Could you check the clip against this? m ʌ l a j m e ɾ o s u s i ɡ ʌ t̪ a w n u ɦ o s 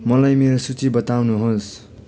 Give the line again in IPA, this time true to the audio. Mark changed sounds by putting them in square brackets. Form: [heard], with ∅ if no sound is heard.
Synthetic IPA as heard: m ʌ l a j m e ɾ o s u [t͡s] i [b] ʌ t̪ a w n u ɦ o s